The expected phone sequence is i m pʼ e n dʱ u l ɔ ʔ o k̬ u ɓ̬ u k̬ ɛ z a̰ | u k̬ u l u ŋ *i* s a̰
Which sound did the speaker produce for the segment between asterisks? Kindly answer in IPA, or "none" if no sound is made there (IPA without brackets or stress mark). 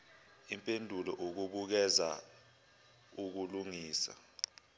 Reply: iː